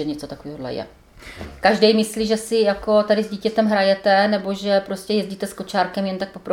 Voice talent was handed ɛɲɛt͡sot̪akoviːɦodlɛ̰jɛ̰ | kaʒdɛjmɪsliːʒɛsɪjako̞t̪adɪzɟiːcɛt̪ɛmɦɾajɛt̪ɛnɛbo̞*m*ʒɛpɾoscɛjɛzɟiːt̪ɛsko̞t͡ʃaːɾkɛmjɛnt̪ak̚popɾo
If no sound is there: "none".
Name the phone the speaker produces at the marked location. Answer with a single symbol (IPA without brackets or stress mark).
none